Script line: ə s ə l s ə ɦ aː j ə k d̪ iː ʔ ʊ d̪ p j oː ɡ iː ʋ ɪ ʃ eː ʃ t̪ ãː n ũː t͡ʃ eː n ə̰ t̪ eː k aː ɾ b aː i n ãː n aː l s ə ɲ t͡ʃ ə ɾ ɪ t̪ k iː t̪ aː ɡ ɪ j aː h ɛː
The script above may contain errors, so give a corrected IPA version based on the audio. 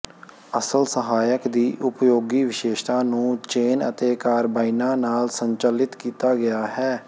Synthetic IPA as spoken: ə s ə l s ə ɦ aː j ə k d̪ iː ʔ ʊ p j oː ɡ iː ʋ ɪ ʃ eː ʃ t̪ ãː n ũː t͡ʃ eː n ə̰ t̪ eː k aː ɾ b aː i n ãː n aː l s ə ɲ t͡ʃ ə l ɪ t̪ k iː t̪ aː ɡ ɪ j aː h ɛː